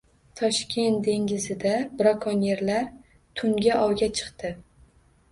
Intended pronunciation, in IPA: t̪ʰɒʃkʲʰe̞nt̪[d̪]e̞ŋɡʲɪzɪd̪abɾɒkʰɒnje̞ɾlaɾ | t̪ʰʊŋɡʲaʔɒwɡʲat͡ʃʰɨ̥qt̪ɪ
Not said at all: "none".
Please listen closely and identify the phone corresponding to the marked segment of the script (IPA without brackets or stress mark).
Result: d̪